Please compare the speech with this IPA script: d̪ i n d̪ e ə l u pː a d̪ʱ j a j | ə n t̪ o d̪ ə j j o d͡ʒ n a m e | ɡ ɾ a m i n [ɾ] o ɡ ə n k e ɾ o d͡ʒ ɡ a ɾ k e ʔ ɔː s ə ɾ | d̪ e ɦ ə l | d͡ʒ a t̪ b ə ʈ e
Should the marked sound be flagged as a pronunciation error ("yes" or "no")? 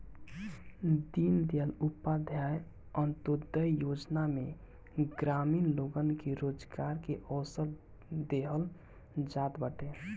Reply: yes